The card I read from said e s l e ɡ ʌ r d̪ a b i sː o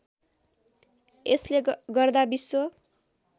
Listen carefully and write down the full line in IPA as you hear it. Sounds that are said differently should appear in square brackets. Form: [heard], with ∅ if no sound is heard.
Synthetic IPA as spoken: e s l e ɡ ʌ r d̪ a b i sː o